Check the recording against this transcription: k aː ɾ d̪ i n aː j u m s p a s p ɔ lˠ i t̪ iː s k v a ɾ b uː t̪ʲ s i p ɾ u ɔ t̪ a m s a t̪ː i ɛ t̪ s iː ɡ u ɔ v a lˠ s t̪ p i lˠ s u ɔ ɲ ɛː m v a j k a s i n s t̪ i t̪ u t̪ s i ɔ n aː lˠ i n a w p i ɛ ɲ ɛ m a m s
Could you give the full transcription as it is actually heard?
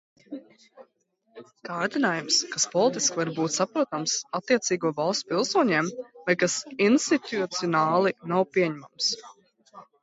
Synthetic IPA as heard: k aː ɾ d̪ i n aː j u m s k a s p ɔ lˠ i t̪ i s k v a ɾ b uː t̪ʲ s a p ɾ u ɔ t̪ a m s a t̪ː i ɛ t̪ s iː ɡ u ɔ v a lˠ s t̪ p i lˠ s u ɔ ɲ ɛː m v a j k a s i n s t̪ i t̪ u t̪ s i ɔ n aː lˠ i n a w p i ɛ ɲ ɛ m a m s